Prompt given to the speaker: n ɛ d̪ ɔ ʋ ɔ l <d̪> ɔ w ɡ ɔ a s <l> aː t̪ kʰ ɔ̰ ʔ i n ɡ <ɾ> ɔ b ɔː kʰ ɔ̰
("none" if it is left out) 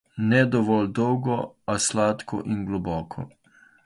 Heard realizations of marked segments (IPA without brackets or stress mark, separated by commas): d̪, l, l